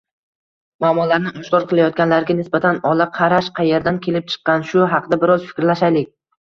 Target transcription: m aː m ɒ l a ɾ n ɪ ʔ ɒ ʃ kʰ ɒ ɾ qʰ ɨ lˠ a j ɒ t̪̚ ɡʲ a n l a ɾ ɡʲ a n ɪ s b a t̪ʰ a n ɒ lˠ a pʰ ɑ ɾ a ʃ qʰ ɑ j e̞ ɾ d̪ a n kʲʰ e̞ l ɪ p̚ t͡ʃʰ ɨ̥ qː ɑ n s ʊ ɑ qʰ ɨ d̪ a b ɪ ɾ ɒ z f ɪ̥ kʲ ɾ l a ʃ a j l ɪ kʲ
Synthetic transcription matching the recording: m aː m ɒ l a ɾ n ɪ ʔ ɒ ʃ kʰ ɒ ɾ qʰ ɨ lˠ a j ɒ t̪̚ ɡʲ a n l a ɾ ɡʲ a n ɪ s b a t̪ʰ a n ɒ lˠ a qʰ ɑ ɾ a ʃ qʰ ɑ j e̞ ɾ d̪ a n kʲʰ e̞ l ɪ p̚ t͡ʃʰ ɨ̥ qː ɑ n ʃ ʊ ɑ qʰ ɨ d̪ a b ɪ ɾ ɒ z f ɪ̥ kʲ ɾ l a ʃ a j l ɪ kʲ

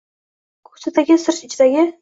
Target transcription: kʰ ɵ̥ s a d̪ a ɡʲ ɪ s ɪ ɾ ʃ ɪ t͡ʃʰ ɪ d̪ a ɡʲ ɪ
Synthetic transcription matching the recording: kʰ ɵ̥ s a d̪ a ɡʲ ɪ s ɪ ɾ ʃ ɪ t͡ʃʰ ɪ d̪ a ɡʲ ɪ

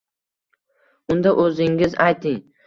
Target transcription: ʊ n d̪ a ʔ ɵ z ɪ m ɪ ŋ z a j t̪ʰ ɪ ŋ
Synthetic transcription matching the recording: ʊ n d̪ a ʔ ɵ z ɪ ŋ ɪ z a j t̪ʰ ɪ ŋ

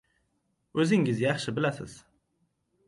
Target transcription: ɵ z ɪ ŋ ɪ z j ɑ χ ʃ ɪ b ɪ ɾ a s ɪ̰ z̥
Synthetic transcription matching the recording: ɵ z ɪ ŋ ɪ z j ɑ χ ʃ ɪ b ɪ l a s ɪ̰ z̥

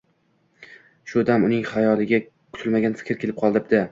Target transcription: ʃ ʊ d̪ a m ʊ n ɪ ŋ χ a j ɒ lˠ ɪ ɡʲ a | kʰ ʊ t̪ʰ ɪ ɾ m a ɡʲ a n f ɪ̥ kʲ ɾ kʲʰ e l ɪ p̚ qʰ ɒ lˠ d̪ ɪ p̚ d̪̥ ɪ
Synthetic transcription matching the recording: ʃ ʊ d̪ a m ʊ n ɪ ŋ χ a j ɒ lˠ ɪ ɡʲ a | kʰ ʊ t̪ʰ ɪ l m a ɡʲ a n f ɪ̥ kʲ ɾ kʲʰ e l ɪ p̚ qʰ ɒ lˠ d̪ ɪ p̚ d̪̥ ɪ

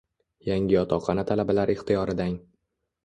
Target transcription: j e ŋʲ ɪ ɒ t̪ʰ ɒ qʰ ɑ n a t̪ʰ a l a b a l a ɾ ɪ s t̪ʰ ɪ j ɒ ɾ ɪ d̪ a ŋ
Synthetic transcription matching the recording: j a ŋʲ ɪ ɒ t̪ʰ ɒ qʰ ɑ n a t̪ʰ a l a b a l a ɾ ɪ χ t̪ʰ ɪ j ɒ ɾ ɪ d̪ a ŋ

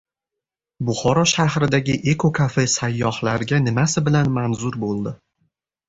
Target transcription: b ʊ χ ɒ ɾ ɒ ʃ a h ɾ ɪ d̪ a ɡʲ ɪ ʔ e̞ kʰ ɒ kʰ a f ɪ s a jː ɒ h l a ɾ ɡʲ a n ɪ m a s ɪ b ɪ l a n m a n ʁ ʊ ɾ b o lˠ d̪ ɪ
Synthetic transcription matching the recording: b ʊ χ ɒ ɾ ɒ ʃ a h ɾ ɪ d̪ a ɡʲ ɪ ʔ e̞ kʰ o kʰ a f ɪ s a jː ɒ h l a ɾ ɡʲ a n ɪ m a s ɪ b ɪ l a n m a n z ʊ ɾ b o lˠ d̪ ɪ

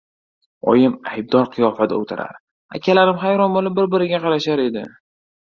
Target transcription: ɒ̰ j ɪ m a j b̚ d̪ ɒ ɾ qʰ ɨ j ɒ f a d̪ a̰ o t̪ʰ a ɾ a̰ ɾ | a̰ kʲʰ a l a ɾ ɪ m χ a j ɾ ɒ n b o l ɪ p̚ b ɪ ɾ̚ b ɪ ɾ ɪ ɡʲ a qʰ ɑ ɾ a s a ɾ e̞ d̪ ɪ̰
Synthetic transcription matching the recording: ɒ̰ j ɪ m a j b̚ d̪ ɒ ɾ qʰ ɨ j ɒ f a d̪ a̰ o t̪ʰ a ɾ a̰ ɾ | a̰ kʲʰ a l a ɾ ɪ m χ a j ɾ ɒ n b o l ɪ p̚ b ɪ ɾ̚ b ɪ ɾ ɪ ɡʲ a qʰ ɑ ɾ a ʃ a ɾ e̞ d̪ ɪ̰

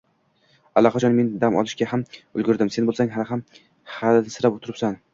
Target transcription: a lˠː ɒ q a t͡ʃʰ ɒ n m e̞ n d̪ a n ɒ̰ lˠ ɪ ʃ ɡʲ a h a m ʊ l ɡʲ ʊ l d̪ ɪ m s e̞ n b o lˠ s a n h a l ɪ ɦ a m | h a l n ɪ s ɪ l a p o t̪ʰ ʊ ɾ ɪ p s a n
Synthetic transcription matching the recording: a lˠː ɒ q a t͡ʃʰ ɒ n m e̞ n d̪ a m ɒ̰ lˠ ɪ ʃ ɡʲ a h a m ʊ l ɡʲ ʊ ɾ d̪ ɪ m s e̞ n b o lˠ s a ŋ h a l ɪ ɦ a m | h a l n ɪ s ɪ ɾ a p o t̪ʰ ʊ ɾ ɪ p s a n

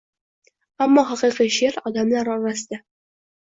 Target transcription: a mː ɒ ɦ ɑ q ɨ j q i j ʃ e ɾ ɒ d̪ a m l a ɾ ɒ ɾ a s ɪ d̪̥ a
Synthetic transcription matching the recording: a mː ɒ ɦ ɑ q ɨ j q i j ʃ e ɾ ɒ d̪ a m l a ɾ ɒ ɾ a s ɪ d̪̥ a

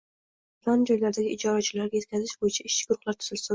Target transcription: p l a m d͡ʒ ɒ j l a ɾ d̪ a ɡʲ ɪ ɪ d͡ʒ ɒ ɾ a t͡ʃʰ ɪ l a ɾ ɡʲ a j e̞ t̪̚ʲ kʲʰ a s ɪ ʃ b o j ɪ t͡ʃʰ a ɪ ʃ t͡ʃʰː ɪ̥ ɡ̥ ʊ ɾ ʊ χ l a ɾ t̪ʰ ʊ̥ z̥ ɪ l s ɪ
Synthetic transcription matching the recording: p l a n d͡ʒ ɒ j l a ɾ d̪ a ɡʲ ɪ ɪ d͡ʒ ɒ ɾ a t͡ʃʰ ɪ l a ɾ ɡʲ a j e̞ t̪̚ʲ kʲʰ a z ɪ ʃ b o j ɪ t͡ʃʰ a ɪ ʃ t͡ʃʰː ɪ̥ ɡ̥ ʊ ɾ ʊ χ l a ɾ t̪ʰ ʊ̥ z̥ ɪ l s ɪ

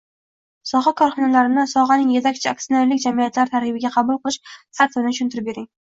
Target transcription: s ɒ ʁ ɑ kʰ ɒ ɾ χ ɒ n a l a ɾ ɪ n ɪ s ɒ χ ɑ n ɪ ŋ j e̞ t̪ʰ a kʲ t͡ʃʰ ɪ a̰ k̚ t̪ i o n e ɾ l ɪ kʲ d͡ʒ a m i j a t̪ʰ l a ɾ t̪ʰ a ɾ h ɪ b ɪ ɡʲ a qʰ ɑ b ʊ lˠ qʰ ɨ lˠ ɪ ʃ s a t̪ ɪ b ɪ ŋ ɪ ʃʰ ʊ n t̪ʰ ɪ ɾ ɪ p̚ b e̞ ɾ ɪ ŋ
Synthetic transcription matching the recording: s ɒ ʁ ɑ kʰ ɒ ɾ χ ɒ n a l a ɾ ɪ n ɪ s ɒ ʁ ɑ n ɪ ŋ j e̞ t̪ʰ a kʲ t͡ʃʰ ɪ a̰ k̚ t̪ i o n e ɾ l ɪ kʲ d͡ʒ a m i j a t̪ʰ l a ɾ t̪ʰ a ɾ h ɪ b ɪ ɡʲ a qʰ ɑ b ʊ lˠ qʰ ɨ lˠ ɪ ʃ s a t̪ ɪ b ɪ n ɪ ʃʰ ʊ n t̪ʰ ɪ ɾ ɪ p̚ b e̞ ɾ ɪ ŋ

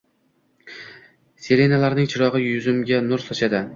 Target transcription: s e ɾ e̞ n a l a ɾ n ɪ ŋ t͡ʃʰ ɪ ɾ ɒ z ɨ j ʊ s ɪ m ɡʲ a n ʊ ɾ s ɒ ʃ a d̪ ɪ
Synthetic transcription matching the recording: s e ɾ e̞ n a l a ɾ n ɪ ŋ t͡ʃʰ ɪ ɾ ɒ ʁ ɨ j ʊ z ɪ m ɡʲ a n ʊ ɾ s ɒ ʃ a d̪ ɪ

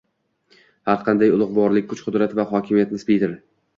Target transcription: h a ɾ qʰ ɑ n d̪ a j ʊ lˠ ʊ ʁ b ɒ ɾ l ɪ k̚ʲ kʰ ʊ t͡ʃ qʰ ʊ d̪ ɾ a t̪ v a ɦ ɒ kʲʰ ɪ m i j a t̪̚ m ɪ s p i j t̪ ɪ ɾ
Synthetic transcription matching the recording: h a ɾ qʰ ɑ n d̪ a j ʊ lˠ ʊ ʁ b ɒ ɾ l ɪ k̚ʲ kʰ ʊ t͡ʃ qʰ ʊ d̪ ɾ a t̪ v a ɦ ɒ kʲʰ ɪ m i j a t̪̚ n ɪ s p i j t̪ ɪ ɾ

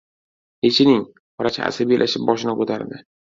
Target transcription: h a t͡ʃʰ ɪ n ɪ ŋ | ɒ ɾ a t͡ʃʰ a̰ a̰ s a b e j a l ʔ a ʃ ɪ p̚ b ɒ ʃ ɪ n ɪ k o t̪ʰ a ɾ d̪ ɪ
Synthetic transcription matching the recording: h e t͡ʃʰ ɪ n ɪ ŋ | ɒ ɾ a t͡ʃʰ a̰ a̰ s a b i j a l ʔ a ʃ ɪ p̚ b ɒ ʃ ɪ n ɪ k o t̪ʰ a ɾ d̪ ɪ

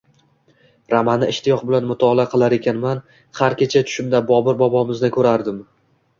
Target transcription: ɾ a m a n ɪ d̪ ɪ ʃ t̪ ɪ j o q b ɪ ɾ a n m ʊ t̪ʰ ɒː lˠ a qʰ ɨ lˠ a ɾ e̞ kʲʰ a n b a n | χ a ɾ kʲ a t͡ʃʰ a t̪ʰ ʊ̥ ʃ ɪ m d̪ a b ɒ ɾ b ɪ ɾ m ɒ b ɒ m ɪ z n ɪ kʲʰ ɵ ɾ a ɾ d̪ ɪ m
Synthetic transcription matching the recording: ɾ a m a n ɪ ɪ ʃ t̪ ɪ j ɒ q b ɪ l a n m ʊ t̪ʰ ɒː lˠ a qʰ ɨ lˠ a ɾ e̞ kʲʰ a n m a n | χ a ɾ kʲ e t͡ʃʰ a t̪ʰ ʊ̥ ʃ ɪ m d̪ a b ɒ b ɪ ɾ b ɒ b ɒ m ɪ z n ɪ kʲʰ ɵ ɾ a ɾ d̪ ɪ m

